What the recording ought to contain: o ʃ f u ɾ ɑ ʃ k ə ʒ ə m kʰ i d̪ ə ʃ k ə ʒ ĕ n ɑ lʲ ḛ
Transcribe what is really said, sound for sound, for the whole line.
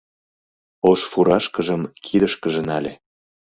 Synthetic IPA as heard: o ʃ f u ɾ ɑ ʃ k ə ʒ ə m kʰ i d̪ ə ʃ k ə ʒ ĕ n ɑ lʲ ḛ